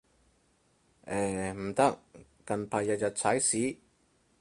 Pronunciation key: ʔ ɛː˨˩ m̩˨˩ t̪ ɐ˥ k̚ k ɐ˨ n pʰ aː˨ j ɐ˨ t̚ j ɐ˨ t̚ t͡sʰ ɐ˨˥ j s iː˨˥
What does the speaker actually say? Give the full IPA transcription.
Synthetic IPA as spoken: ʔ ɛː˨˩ m̩˨˩ t̪ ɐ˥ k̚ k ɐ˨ n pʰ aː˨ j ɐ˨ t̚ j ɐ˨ t̚ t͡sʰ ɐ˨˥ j s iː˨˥